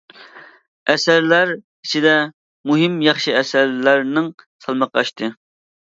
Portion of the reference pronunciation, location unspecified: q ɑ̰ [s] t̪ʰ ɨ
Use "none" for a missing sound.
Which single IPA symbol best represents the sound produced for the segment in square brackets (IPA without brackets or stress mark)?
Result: ʃ